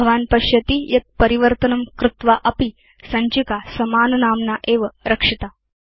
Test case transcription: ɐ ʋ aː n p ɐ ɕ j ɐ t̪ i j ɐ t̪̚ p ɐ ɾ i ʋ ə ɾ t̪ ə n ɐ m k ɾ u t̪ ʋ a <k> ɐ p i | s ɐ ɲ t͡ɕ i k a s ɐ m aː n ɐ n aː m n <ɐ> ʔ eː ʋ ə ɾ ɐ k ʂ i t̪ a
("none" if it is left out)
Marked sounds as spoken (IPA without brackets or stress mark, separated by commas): ʔ, a